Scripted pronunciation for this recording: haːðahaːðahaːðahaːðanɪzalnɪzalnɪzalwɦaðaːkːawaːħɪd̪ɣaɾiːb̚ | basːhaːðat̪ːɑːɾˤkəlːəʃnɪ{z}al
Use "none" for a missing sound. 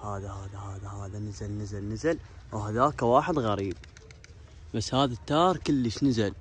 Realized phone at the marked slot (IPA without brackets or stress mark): z